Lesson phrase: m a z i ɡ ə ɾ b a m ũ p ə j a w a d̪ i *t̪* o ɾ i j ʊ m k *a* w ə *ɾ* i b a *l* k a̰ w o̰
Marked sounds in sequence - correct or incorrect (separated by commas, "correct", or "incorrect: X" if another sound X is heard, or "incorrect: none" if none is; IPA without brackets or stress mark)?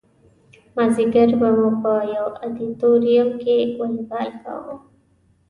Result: correct, incorrect: e, incorrect: l, correct